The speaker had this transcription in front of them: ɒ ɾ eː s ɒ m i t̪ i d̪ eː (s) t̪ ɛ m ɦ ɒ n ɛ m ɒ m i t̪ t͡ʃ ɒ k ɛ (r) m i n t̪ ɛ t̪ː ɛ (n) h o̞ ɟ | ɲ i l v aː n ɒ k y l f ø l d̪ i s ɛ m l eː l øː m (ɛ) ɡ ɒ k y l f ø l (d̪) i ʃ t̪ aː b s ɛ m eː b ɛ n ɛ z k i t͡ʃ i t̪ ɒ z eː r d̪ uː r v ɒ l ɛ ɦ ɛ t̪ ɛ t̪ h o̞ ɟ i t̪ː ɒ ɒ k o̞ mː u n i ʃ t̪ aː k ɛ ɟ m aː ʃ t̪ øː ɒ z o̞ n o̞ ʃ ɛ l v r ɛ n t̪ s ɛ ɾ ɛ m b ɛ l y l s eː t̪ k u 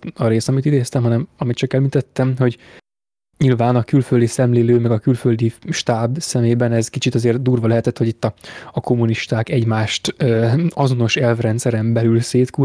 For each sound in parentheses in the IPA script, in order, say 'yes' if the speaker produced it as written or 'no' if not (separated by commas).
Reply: yes, no, no, yes, yes